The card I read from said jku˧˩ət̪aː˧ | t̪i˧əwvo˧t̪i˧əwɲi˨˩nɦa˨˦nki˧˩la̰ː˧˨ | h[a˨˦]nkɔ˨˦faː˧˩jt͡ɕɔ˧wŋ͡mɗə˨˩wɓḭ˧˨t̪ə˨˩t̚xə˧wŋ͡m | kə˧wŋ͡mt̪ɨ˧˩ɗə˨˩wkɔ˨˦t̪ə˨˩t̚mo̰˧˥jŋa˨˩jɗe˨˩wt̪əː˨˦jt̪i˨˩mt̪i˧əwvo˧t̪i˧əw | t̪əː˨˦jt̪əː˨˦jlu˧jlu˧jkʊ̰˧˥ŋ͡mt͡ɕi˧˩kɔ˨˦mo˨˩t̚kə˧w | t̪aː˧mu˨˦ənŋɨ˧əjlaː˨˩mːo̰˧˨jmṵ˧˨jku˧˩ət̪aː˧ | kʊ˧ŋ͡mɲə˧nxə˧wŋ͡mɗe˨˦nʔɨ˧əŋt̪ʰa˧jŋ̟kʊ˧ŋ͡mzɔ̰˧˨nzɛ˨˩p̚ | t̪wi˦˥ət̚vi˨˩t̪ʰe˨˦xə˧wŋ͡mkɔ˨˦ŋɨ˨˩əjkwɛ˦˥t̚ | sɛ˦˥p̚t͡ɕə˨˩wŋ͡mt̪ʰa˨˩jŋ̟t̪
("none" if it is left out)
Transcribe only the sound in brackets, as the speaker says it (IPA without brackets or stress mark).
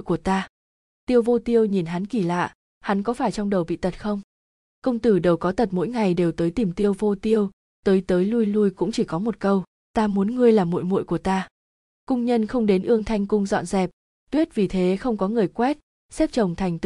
a˨˦